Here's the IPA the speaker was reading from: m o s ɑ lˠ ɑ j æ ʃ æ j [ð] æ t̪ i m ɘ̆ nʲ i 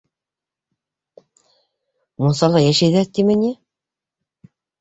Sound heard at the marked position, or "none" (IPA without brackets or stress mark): ð